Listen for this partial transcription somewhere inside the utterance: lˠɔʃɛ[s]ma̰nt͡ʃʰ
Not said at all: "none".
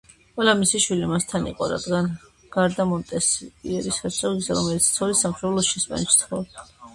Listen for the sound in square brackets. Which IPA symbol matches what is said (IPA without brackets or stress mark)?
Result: s